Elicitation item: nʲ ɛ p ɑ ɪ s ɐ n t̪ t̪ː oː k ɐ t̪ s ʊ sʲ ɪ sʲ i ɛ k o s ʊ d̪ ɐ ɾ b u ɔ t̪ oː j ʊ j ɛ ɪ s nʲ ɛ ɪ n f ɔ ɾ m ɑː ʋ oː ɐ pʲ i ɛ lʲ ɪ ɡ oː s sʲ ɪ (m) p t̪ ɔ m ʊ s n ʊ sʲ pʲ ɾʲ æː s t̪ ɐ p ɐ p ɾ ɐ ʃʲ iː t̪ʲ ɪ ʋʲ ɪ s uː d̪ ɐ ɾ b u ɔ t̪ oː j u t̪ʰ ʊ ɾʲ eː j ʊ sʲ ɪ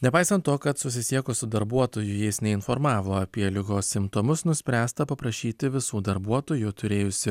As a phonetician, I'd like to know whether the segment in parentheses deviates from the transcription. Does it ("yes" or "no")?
no